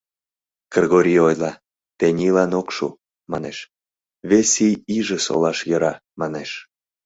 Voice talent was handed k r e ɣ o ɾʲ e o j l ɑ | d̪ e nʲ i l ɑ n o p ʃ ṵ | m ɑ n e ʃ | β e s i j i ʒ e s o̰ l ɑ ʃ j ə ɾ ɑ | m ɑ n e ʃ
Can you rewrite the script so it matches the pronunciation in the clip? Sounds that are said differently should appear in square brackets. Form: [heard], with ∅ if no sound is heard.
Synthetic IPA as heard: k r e ɣ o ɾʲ [i] o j l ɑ | [t̪] e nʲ i l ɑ n o [k] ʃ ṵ | m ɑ n e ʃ | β e s i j i ʒ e s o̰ l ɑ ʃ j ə ɾ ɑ | m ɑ n e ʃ